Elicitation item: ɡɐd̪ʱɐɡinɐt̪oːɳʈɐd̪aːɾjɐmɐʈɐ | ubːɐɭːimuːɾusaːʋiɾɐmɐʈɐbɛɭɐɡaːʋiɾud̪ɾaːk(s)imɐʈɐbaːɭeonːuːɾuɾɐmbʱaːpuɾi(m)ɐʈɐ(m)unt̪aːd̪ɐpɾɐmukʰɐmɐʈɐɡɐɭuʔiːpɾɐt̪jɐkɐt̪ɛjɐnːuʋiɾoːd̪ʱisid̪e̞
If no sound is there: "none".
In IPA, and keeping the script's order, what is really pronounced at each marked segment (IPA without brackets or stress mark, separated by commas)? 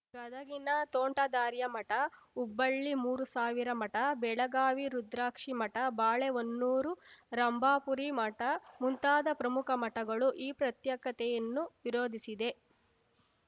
ʂ, m, m